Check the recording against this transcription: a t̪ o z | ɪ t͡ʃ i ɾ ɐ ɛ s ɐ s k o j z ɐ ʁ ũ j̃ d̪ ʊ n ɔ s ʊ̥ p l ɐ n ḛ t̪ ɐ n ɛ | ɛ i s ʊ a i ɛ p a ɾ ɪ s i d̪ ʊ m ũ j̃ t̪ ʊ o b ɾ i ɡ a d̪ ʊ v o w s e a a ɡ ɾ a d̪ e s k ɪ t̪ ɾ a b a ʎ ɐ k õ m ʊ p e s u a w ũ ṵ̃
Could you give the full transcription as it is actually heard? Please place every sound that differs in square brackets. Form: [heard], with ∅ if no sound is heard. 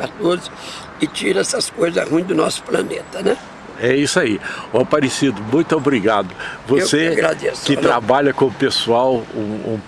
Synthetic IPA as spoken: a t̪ o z | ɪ t͡ʃ i ɾ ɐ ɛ s ɐ s k o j z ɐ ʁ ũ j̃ d̪ ʊ n ɔ s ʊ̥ p l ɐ n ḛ t̪ ɐ n ɛ | ɛ i s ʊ a i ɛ p a ɾ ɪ s i d̪ ʊ m ũ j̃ t̪ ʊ o b ɾ i ɡ a d̪ ʊ v o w s e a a ɡ ɾ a d̪ e s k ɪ t̪ ɾ a b a ʎ ɐ k õ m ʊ p e s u a w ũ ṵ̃